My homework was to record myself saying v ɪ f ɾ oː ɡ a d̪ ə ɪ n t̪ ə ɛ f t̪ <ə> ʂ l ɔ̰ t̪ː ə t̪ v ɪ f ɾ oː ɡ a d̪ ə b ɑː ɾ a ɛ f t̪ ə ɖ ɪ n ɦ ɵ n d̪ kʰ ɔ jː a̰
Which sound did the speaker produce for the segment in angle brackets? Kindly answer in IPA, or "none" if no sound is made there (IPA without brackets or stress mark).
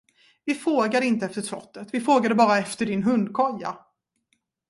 ə